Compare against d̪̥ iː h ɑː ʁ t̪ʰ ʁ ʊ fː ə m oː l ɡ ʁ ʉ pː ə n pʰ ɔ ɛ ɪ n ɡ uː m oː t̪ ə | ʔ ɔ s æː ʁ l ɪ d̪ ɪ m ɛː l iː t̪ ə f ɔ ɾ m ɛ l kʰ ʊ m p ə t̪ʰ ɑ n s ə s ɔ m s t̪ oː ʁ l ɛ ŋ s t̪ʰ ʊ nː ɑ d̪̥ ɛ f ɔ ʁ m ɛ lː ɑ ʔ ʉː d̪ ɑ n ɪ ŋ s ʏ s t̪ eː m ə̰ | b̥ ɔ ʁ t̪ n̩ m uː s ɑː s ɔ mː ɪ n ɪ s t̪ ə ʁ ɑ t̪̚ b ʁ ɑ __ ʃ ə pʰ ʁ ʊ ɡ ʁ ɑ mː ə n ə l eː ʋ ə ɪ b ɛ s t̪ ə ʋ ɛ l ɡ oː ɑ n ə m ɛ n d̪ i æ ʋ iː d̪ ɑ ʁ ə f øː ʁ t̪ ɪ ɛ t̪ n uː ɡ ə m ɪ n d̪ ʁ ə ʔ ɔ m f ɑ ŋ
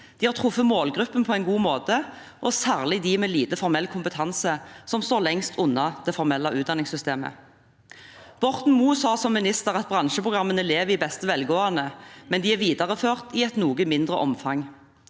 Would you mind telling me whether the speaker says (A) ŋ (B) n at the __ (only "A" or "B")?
B